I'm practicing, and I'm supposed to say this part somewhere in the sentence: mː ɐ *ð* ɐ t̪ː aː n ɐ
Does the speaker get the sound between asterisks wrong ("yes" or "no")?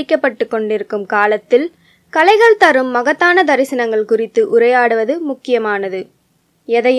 yes